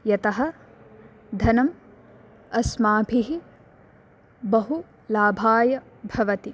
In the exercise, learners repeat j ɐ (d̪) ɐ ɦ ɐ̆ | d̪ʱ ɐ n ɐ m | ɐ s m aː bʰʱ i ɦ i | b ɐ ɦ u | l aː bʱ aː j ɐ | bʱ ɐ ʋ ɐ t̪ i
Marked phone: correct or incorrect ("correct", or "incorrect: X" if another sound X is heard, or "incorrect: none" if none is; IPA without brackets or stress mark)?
incorrect: t̪